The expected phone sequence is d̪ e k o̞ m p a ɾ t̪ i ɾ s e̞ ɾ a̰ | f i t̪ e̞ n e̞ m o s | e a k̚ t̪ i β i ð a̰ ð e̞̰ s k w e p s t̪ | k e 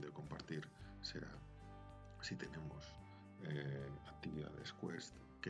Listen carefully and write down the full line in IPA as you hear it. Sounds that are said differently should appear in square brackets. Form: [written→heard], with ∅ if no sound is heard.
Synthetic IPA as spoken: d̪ e k o̞ m p a ɾ t̪ i ɾ s e̞ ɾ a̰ | [f→s] i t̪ e̞ n e̞ m o s | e a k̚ t̪ i β i ð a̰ ð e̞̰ s k w e [p→∅] s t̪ | k e